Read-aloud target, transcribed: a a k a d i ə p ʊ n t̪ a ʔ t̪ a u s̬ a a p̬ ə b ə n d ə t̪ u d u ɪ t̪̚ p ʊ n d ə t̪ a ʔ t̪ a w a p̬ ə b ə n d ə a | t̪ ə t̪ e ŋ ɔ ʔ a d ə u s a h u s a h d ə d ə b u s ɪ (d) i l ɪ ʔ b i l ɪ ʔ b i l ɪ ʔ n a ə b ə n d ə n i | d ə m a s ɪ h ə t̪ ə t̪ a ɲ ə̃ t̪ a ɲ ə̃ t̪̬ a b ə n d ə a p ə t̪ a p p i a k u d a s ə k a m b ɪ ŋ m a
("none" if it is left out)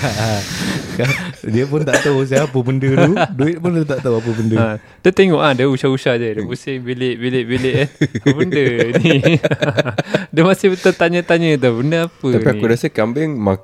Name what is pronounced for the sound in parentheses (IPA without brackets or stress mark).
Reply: b